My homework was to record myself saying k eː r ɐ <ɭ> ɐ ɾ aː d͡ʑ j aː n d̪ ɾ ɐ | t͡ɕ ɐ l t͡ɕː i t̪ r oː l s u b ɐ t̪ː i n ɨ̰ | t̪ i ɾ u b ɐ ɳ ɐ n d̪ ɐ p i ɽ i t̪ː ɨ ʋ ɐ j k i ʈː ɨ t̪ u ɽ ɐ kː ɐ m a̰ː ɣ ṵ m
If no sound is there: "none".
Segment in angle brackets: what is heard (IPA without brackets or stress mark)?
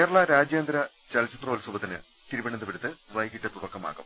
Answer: ɭ